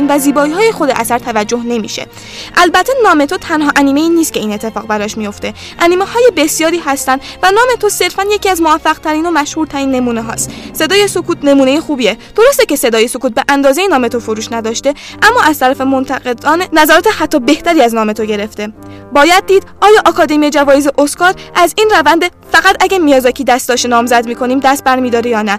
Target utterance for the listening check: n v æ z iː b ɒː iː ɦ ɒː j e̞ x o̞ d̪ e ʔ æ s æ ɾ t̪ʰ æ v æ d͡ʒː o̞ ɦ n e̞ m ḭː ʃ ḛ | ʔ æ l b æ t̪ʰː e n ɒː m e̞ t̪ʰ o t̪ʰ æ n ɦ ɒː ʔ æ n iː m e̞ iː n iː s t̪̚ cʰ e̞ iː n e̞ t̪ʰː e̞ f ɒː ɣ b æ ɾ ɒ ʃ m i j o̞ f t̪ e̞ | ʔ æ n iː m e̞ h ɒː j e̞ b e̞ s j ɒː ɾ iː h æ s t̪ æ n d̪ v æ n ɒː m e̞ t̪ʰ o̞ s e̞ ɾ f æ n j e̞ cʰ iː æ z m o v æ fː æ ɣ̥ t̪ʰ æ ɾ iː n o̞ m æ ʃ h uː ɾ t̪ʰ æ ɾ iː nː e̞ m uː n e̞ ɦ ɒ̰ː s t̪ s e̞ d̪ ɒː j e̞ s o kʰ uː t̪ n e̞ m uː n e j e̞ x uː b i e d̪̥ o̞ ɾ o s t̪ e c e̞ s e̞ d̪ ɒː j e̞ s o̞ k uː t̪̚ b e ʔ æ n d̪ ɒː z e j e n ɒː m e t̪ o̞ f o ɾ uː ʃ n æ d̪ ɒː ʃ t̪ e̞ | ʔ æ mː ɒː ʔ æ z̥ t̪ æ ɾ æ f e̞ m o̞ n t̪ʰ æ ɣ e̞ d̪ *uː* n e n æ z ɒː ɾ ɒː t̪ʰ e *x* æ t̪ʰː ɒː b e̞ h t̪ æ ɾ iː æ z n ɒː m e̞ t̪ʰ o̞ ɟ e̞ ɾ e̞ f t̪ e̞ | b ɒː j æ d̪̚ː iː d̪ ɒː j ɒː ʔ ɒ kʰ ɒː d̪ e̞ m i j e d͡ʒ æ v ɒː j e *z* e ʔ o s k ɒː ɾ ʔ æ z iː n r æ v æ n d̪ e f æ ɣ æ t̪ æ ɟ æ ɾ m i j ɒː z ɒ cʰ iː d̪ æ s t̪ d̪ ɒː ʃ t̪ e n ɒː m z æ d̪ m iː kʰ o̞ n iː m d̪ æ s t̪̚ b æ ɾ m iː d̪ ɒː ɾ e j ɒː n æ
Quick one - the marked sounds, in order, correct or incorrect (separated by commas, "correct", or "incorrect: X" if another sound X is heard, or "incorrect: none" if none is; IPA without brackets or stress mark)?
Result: incorrect: ɒː, incorrect: h, correct